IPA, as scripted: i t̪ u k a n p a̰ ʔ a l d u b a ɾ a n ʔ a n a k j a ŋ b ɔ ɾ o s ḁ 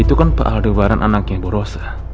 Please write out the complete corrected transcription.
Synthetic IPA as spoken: i t̪ u k a n p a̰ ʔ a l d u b a ɾ a n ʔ a n a k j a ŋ b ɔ ɾ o s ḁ